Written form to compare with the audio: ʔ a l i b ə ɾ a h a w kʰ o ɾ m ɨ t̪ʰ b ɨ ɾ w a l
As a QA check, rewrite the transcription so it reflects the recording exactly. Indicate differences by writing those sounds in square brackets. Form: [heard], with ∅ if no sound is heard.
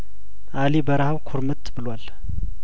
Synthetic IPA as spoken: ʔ a l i b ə ɾ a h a w kʰ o ɾ m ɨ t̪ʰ b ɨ [l] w a l